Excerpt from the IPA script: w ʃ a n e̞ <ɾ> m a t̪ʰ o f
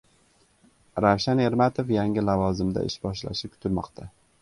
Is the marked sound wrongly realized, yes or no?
no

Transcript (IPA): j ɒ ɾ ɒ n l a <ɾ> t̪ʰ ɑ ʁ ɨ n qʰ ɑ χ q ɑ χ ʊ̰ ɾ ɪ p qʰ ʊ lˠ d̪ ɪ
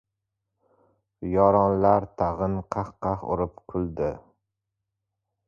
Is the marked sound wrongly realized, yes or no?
no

